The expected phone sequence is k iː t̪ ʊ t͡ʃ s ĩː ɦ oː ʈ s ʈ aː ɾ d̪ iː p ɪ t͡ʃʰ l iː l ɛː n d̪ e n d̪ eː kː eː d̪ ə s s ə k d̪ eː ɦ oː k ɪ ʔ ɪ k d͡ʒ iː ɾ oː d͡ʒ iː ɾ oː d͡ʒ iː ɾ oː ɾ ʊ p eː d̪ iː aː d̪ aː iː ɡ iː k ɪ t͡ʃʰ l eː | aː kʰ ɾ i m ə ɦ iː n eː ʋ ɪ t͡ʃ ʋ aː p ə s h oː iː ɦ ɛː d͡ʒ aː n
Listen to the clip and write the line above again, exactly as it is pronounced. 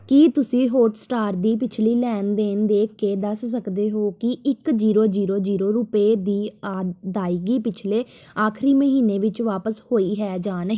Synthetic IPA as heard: k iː t̪ ʊ s ĩː ɦ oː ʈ s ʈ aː ɾ d̪ iː p ɪ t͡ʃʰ l iː l ɛː n d̪ e n d̪ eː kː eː d̪ ə s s ə k d̪ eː ɦ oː k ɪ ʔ ɪ k d͡ʒ iː ɾ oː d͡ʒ iː ɾ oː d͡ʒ iː ɾ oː ɾ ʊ p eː d̪ iː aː d̪ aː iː ɡ iː p ɪ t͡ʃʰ l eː | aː kʰ ɾ iː m ə ɦ iː n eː ʋ ɪ t͡ʃ ʋ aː p ə s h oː iː ɦ ɛː d͡ʒ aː n